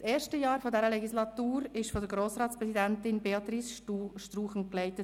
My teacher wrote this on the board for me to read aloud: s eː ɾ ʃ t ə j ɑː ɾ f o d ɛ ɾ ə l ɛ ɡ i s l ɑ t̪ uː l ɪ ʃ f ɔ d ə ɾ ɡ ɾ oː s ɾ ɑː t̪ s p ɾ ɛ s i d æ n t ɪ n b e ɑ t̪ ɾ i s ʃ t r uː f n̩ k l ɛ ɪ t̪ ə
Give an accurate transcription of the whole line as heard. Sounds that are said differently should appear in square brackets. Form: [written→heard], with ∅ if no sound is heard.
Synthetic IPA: s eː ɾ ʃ t ə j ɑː ɾ f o d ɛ ɾ ə l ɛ ɡ i s l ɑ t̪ uː [l→ɾ] ɪ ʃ f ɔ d ə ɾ ɡ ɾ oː s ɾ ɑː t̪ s p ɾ ɛ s i d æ n t ɪ n b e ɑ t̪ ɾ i s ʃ t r uː [f→χ] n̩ k l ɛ ɪ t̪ ə